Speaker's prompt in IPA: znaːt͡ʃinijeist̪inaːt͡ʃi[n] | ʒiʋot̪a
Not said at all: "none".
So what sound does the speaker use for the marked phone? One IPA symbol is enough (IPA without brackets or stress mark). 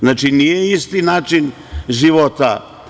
n